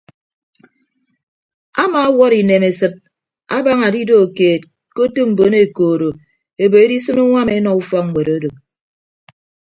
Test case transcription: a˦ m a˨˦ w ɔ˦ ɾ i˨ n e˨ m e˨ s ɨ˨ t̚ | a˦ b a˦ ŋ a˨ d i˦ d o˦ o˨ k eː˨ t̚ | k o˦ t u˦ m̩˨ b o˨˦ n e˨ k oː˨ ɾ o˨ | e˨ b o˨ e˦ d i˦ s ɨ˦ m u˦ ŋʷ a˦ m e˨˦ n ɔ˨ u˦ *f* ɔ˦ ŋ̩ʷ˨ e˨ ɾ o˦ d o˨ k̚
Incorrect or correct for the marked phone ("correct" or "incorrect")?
correct